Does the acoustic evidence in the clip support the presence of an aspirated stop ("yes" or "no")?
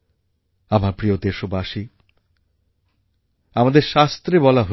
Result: no